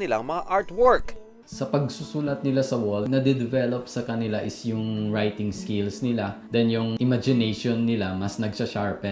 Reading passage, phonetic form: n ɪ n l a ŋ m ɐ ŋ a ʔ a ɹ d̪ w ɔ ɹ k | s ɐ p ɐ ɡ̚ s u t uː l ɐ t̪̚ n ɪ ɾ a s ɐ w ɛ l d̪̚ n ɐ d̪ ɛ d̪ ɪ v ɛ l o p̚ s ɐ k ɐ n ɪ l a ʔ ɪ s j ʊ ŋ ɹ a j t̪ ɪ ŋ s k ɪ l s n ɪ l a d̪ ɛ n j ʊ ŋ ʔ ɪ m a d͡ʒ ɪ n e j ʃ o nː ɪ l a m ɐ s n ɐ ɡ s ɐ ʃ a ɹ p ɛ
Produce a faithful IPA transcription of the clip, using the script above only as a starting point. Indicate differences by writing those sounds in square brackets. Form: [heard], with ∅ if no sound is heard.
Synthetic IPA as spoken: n ɪ [∅] l a ŋ m ɐ ŋ a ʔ a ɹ [t̪] w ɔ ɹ k | s ɐ p ɐ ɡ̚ s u [s] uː l ɐ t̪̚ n ɪ [l] a s ɐ w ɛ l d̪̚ n ɐ d̪ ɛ d̪ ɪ v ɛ l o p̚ s ɐ k ɐ n ɪ l a ʔ ɪ s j ʊ ŋ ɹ a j t̪ ɪ ŋ s k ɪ l s n ɪ l a d̪ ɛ n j ʊ ŋ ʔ ɪ m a d͡ʒ ɪ n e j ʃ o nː ɪ l a m ɐ s n ɐ ɡ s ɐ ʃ a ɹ p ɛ